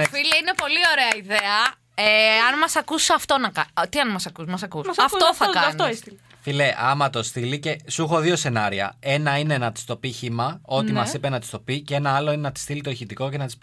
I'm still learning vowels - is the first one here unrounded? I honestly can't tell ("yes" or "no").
yes